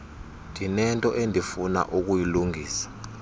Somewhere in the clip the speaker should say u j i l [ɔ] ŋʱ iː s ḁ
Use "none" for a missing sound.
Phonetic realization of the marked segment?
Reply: u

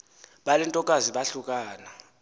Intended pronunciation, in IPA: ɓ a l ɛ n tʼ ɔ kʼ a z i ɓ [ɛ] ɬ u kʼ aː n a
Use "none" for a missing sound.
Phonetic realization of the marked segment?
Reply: a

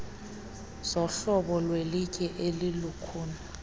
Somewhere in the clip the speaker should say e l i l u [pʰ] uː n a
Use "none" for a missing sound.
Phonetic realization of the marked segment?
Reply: kʰ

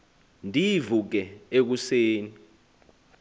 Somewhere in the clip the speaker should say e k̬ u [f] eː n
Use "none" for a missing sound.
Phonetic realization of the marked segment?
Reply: s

